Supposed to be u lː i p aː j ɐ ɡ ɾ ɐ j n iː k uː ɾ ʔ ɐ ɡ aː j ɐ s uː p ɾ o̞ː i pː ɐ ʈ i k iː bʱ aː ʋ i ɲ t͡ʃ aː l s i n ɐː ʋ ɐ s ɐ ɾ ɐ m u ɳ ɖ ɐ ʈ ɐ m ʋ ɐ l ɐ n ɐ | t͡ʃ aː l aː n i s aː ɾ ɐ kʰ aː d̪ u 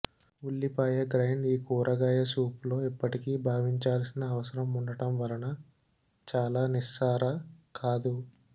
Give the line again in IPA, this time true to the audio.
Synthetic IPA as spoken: u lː i p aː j ɐ ɡ ɾ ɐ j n iː k uː ɾ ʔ ɐ ɡ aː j ɐ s uː p l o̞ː i pː ɐ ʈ i k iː bʱ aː ʋ i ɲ t͡ʃ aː l s i n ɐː ʋ ɐ s ɐ ɾ ɐ m u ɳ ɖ ɐ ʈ ɐ m ʋ ɐ l ɐ n ɐ | t͡ʃ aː l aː n i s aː ɾ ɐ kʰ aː d̪ u